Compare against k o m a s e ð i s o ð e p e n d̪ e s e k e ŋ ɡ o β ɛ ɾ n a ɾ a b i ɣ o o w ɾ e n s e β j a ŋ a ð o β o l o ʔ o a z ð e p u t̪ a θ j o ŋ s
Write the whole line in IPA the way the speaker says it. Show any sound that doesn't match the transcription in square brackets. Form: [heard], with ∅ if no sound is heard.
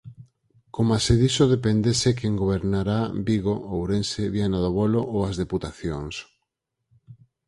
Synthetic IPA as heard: k o m a s e ð i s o ð e p e n d̪ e s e k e ŋ ɡ o β [e] ɾ n a ɾ a b i ɣ o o w ɾ e n s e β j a [n] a ð o β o l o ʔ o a z ð e p u t̪ a θ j o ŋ s